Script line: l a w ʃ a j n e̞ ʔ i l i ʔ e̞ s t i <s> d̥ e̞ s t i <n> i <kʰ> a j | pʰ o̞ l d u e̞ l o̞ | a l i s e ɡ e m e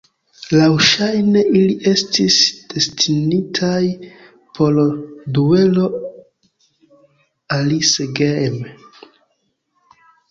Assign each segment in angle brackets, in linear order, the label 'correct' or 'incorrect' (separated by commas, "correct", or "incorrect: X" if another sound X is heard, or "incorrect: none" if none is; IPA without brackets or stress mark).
correct, correct, incorrect: tʰ